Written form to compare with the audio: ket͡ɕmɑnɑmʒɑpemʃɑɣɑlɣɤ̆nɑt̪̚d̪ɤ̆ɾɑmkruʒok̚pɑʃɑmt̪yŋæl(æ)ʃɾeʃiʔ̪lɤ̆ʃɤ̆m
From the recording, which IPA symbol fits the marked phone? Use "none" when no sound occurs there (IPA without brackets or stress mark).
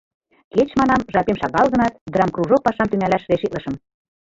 æ